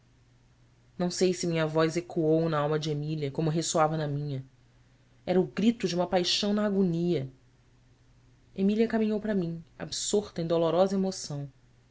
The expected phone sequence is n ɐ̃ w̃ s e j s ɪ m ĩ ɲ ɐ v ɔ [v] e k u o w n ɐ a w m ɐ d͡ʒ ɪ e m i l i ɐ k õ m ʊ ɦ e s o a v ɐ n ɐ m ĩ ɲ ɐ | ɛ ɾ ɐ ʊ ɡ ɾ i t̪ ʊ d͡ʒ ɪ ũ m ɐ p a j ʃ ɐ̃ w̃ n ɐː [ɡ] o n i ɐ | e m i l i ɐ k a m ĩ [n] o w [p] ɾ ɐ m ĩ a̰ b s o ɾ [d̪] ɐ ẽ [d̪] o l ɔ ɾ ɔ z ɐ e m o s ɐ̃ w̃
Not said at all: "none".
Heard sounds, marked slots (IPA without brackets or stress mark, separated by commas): z, ɡ, ɲ, p, t̪, d̪